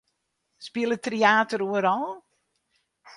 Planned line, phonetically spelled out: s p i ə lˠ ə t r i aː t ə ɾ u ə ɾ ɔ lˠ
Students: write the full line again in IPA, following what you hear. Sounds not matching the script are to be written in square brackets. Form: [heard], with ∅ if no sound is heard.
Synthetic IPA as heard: s p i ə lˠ ə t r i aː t ə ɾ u ə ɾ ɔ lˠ